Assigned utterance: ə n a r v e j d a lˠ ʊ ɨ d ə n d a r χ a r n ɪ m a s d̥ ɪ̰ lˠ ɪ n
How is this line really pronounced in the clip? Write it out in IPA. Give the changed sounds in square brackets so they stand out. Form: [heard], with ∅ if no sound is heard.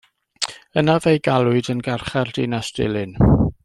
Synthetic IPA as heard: ə n a [∅] v e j [ɡ] a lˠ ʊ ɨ d ə n [ɡ] a r χ a r [d] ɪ [n] a s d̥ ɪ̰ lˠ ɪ n

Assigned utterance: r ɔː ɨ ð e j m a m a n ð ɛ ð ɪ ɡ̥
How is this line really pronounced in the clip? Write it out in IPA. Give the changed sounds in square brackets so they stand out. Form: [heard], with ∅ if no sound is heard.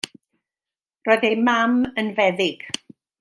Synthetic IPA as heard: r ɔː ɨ ð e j m a m [ə] n [v] ɛ ð ɪ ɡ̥

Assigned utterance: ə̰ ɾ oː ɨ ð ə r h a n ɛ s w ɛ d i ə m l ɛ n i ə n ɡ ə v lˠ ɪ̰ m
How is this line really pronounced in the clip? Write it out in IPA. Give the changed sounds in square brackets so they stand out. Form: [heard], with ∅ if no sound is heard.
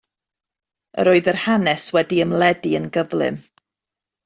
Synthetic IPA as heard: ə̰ ɾ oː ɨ ð ə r h a n ɛ s w ɛ d i ə m l ɛ [d] i ə n ɡ ə v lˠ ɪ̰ m

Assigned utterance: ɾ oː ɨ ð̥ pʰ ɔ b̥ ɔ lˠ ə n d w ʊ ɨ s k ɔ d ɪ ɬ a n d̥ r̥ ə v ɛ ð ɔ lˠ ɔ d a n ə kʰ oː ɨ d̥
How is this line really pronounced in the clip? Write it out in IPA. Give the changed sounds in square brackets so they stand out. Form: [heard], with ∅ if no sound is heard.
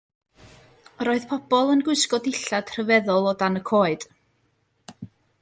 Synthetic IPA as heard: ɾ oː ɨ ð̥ pʰ ɔ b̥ ɔ lˠ ə n [ɡ] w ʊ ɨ s k ɔ d ɪ ɬ a [∅] d̥ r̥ ə v ɛ ð ɔ lˠ ɔ d a n ə kʰ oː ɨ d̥

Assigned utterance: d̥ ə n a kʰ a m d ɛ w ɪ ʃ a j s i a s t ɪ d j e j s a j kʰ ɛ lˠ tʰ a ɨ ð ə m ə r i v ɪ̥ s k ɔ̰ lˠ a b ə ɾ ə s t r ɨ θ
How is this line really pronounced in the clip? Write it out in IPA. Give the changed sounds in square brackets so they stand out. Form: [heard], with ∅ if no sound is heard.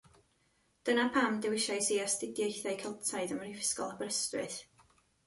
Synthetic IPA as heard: d̥ ə n a [pʰ] a m d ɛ w ɪ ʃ a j s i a s t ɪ d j e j [θ] a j kʰ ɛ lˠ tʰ a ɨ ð ə m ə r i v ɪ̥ s k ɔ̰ lˠ a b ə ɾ ə s t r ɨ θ

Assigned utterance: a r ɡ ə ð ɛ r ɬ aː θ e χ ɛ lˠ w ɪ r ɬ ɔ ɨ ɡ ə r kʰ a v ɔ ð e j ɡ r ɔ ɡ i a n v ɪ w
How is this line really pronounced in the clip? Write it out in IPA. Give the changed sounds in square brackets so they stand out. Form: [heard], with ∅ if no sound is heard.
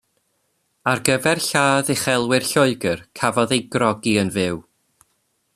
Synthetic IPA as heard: a r ɡ ə [v] ɛ r ɬ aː [ð] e χ ɛ lˠ w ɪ r ɬ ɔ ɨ ɡ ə r kʰ a v ɔ ð e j ɡ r ɔ ɡ i [ə] n v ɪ w

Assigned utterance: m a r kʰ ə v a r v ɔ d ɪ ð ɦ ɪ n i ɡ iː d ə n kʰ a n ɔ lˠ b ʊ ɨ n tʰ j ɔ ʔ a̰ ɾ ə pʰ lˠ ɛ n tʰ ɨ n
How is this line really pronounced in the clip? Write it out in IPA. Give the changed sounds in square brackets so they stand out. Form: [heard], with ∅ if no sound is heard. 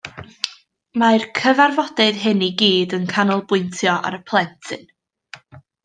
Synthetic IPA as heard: m a r kʰ ə v a r v ɔ d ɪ ð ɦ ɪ n i ɡ iː d ə n kʰ a n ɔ lˠ b ʊ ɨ n tʰ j ɔ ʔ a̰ ɾ ə pʰ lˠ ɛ n tʰ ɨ n

